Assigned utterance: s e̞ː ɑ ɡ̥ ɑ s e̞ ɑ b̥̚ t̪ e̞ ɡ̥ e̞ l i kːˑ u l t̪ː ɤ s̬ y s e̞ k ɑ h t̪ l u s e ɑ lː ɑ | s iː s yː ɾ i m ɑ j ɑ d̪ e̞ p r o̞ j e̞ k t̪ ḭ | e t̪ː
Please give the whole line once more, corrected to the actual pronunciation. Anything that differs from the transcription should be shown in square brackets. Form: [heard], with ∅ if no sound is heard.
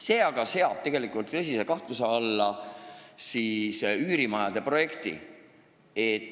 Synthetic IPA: s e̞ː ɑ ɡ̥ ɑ s e̞ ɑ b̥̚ t̪ e̞ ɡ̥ e̞ l i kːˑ u l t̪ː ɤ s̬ [i] s e̞ k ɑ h t̪ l u s e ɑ lː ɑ | s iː s yː ɾ i m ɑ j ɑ d̪ e̞ p r o̞ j e̞ k t̪ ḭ | e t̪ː